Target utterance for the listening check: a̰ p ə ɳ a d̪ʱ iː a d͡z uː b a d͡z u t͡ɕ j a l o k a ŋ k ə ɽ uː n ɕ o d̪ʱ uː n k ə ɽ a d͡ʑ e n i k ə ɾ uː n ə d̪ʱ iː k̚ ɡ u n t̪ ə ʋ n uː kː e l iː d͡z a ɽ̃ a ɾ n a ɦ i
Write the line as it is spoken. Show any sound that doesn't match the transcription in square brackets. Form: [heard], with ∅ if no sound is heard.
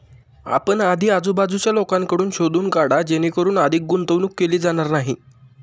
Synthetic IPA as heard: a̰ p ə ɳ a d̪ʱ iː a d͡z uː b a d͡z u t͡ɕ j a l o k a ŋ k ə ɽ uː n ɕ o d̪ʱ uː n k [a] ɽ a d͡ʑ e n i k ə ɾ uː n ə d̪ʱ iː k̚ ɡ u n t̪ ə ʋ n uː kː e l iː d͡z a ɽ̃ a ɾ n a ɦ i